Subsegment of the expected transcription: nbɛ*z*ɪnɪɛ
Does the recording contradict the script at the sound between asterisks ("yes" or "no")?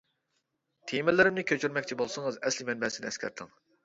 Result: yes